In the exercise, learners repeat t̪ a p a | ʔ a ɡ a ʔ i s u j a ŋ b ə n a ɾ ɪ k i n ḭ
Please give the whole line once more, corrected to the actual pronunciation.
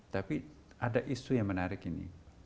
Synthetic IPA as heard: t̪ a p i | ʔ a d a ʔ i s u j a ŋ m ə n a ɾ ɪ k i n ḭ